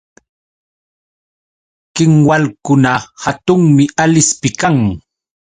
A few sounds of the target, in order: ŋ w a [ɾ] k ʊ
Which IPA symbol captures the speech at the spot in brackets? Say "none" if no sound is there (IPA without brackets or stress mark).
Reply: l